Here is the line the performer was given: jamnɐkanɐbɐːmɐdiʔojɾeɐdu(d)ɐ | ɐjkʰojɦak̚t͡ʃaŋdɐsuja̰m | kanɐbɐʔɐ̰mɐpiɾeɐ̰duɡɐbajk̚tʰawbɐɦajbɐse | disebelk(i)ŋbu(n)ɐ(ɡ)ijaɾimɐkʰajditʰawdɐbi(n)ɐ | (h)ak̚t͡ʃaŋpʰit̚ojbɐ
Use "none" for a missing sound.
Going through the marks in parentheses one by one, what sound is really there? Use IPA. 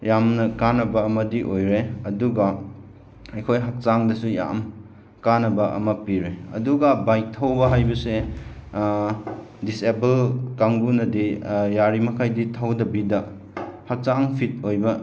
ɡ, a, n, d, d, h

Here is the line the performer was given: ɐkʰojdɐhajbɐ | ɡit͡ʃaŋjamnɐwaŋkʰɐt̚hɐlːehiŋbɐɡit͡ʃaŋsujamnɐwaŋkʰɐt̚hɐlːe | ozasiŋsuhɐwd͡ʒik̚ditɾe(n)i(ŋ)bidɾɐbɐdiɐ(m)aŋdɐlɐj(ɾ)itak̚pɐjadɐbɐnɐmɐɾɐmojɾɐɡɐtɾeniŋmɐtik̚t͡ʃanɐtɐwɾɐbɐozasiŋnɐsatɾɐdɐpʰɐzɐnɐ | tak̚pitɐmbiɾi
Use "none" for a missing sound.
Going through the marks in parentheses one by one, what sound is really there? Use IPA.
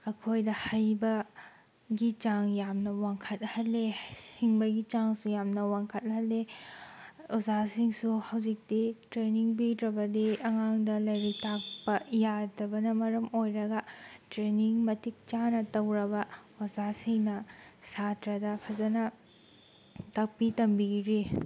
n, ŋ, ŋ, ɾ

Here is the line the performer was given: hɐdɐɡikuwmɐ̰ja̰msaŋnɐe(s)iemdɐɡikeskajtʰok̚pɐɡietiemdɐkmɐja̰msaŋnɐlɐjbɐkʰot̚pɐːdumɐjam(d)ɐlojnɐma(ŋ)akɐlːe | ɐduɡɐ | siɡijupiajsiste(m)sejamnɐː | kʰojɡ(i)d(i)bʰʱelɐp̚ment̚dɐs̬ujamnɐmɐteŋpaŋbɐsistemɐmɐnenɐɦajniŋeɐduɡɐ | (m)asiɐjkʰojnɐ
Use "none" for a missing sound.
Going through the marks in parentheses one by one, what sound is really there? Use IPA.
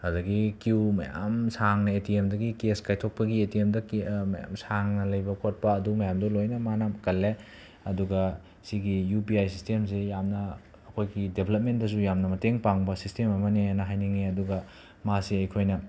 t, d, n, m, i, e, m

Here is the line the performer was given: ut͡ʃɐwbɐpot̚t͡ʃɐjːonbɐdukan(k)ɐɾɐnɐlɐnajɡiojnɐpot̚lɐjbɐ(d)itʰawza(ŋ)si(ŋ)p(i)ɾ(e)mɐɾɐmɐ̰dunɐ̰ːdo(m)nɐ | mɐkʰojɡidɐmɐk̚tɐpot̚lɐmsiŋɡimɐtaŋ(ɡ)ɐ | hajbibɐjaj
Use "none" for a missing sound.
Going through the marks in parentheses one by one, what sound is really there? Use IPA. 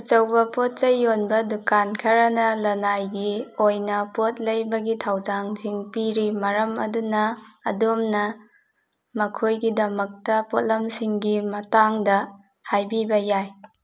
kʰ, ɡ, ŋ, ŋ, i, i, m, d

